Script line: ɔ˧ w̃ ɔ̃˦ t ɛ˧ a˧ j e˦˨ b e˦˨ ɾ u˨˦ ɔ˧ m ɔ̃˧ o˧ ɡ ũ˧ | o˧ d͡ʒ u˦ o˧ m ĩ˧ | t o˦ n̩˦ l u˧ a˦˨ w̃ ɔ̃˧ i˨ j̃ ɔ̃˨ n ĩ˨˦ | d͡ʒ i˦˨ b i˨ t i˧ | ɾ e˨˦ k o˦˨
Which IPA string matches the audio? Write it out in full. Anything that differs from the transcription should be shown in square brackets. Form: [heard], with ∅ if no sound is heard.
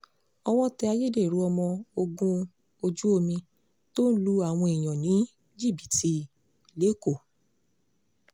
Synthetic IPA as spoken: ɔ˧ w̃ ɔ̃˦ t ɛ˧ a˧ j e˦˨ [d] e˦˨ ɾ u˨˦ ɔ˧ m ɔ̃˧ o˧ ɡ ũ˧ | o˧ d͡ʒ u˦ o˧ m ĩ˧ | t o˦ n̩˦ l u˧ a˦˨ w̃ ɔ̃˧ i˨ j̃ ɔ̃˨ n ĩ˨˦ | d͡ʒ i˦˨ b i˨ t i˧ | [l] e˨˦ k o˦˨